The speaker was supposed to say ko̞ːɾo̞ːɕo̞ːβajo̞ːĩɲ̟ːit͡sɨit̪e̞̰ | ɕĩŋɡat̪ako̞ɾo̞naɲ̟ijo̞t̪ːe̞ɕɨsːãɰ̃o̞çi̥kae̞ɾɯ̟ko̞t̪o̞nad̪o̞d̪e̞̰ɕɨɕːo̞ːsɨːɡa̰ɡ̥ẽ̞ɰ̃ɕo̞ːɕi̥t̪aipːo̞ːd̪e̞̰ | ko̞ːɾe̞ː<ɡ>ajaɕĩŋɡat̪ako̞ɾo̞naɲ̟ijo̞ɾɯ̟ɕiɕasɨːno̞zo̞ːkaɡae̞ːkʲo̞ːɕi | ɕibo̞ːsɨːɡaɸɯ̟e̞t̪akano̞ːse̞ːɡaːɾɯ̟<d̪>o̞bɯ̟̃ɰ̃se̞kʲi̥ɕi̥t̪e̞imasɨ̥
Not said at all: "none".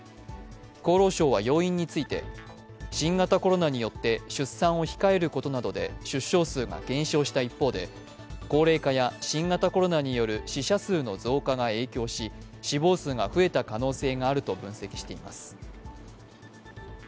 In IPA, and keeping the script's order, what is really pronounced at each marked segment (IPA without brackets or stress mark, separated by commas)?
k, t̪